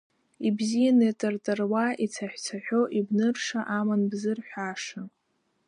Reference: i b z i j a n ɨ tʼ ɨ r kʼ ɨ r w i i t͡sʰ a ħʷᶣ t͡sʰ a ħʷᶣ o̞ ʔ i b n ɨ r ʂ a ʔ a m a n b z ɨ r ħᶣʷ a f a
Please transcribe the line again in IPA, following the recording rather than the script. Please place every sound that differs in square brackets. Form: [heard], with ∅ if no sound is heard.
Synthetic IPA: i b z i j a n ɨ tʼ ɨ r [tʼ] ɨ r w [a] i t͡sʰ a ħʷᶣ t͡sʰ a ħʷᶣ o̞ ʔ i b n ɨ r ʂ a ʔ a m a n b z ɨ r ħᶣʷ a [ʂ] a